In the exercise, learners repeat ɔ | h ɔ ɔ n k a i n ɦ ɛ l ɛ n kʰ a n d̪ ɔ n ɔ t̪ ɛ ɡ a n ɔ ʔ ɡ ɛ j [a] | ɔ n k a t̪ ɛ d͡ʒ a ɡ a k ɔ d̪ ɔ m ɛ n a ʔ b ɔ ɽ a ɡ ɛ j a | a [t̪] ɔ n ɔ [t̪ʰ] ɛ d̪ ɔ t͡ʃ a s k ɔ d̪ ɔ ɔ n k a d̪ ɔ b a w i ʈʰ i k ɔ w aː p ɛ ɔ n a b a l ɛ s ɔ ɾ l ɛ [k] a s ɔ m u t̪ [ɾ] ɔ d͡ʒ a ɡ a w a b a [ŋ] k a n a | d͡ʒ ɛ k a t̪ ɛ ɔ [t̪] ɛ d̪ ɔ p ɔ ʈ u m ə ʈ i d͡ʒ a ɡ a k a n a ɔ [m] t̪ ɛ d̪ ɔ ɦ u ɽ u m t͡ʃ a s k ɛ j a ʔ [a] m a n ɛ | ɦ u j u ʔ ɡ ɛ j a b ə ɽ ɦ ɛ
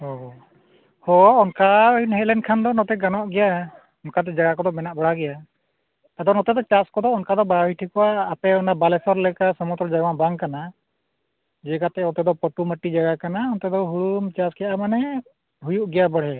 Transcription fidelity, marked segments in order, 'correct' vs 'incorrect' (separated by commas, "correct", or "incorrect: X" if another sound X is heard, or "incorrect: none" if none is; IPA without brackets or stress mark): correct, incorrect: d̪, incorrect: t̪, correct, correct, correct, correct, incorrect: n, correct